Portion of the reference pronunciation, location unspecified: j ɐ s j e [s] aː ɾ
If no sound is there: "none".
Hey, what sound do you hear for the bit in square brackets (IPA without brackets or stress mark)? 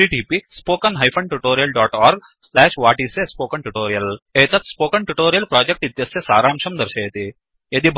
s